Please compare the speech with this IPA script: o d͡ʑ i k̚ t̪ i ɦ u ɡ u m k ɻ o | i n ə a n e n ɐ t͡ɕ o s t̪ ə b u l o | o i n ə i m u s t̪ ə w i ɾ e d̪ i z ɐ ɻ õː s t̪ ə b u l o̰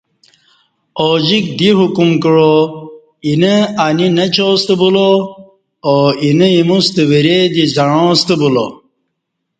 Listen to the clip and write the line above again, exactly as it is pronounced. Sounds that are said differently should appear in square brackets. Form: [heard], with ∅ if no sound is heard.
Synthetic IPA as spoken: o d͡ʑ i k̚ [d̪] i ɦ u [k] u m k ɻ o | i n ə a n [i] n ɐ t͡ɕ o s t̪ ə b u l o | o i n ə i m u s t̪ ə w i ɾ e d̪ i z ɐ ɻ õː s t̪ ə b u l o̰